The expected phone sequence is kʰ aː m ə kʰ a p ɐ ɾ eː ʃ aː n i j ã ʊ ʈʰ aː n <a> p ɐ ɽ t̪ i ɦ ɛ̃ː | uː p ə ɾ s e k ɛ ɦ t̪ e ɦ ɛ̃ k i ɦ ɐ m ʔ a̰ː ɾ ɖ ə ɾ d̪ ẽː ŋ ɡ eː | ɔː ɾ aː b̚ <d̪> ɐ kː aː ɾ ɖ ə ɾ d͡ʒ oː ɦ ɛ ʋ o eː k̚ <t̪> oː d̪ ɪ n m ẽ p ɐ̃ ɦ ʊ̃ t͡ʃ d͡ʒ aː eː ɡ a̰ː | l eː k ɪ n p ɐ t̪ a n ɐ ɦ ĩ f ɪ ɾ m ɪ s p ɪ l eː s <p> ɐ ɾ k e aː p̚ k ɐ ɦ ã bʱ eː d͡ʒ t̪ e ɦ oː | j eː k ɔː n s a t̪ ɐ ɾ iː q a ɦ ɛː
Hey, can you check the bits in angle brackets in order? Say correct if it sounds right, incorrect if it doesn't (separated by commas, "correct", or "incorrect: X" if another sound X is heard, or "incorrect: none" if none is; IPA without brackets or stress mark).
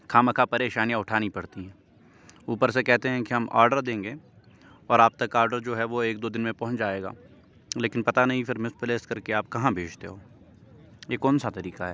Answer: incorrect: i, incorrect: t̪, incorrect: d̪, incorrect: k